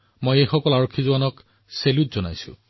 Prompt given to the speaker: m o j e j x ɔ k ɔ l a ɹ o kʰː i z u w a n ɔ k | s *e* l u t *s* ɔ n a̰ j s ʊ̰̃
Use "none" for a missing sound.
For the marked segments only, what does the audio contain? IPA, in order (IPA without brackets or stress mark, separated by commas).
e, z